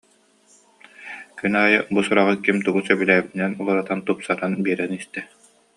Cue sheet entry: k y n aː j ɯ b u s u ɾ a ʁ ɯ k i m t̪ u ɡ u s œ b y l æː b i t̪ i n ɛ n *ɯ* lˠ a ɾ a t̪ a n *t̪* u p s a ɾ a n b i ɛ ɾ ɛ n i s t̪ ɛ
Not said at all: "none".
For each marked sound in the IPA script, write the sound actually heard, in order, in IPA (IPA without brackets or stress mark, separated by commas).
u, t̪